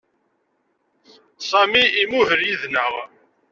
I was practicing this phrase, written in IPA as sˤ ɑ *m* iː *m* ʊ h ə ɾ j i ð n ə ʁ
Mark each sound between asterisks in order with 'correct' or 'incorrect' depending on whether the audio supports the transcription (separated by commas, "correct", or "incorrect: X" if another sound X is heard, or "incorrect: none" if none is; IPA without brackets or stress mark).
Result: correct, correct